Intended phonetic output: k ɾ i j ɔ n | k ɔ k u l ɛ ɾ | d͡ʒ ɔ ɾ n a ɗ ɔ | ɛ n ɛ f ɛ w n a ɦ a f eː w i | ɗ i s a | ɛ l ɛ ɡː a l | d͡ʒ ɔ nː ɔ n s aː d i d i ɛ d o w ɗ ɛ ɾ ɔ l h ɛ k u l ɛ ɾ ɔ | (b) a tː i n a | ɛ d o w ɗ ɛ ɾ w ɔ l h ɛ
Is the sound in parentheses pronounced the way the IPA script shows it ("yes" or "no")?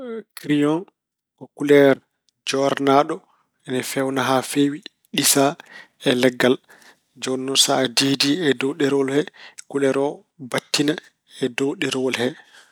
yes